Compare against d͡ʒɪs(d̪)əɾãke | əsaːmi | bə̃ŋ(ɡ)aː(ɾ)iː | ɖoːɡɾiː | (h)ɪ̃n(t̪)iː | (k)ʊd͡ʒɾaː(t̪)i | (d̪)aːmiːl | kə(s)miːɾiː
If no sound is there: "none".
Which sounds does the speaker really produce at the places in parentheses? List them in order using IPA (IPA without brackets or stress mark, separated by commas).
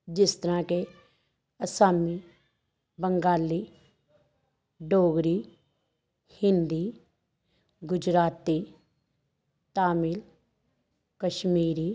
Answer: t̪, ɡ, l, h, d̪, ɡ, t̪, t̪, ʃ